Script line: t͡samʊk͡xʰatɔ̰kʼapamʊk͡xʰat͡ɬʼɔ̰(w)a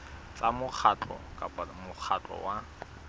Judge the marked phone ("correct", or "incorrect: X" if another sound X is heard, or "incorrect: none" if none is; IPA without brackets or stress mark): correct